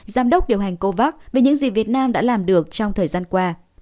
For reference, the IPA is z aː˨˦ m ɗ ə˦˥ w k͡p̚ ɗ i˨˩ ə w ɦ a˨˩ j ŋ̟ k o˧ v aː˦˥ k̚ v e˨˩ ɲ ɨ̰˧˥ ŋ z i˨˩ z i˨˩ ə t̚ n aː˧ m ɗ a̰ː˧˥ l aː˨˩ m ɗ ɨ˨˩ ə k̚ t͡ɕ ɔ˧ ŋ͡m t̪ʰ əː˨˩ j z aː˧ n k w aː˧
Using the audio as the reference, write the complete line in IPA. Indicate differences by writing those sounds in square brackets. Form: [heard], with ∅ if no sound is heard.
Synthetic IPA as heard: z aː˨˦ m ɗ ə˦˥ w k͡p̚ ɗ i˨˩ ə w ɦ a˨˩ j ŋ̟ k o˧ v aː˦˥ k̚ v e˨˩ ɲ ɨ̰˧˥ ŋ z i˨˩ [v] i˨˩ ə t̚ n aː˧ m ɗ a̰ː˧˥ l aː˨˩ m ɗ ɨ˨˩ ə k̚ t͡ɕ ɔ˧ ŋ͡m t̪ʰ əː˨˩ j z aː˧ n k w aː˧